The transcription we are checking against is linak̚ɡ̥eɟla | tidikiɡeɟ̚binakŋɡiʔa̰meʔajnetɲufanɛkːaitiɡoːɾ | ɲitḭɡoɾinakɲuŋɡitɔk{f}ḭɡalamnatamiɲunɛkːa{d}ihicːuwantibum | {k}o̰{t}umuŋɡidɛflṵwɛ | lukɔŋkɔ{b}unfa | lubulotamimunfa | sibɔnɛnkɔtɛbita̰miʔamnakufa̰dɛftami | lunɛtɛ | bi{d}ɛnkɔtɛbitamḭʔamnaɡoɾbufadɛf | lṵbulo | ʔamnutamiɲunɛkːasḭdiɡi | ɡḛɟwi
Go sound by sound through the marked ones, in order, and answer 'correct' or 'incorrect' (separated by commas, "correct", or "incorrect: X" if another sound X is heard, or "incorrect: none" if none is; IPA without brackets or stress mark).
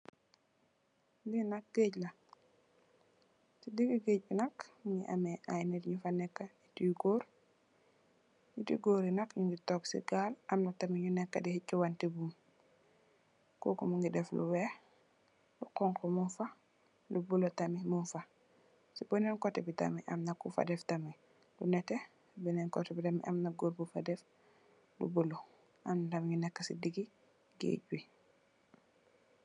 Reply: incorrect: s, correct, correct, incorrect: k, incorrect: m, incorrect: n